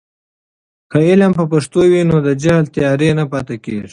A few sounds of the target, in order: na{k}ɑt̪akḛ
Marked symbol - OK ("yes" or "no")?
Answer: no